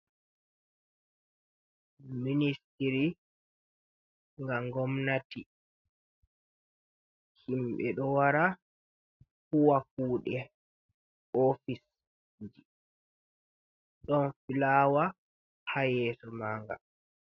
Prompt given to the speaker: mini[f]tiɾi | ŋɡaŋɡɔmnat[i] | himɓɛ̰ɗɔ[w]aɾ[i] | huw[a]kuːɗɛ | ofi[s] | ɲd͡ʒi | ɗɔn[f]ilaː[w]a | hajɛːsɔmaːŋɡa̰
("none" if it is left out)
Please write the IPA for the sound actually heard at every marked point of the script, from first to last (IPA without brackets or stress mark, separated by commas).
s, i, w, a, a, s, f, w